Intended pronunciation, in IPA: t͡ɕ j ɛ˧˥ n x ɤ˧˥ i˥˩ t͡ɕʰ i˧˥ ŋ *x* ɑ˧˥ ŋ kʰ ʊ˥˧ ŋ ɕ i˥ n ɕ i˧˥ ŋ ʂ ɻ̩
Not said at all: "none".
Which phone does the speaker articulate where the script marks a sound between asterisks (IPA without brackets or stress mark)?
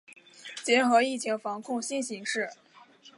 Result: f